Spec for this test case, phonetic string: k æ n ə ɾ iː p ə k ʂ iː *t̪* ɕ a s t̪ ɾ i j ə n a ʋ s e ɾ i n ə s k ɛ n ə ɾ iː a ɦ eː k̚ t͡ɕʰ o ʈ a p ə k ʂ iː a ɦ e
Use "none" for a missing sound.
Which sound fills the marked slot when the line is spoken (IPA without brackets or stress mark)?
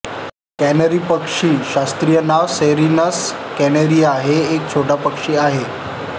none